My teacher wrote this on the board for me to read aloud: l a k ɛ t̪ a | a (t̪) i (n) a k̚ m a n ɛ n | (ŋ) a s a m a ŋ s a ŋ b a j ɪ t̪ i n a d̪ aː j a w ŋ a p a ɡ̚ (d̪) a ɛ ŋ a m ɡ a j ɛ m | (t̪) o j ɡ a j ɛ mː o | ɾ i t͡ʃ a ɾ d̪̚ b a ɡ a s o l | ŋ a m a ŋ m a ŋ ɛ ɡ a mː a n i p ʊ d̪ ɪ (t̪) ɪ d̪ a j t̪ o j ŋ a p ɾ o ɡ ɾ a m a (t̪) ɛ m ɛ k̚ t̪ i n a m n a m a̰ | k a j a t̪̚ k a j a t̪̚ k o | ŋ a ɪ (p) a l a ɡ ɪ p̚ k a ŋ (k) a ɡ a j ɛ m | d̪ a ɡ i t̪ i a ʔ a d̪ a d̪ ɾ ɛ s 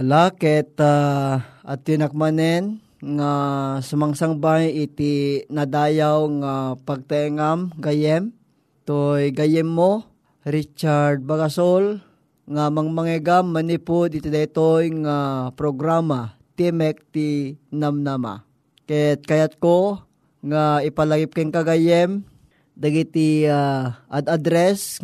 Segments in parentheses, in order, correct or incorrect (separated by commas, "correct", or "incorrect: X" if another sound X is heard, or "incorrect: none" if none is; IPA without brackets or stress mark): correct, correct, correct, incorrect: t̪, correct, correct, correct, correct, correct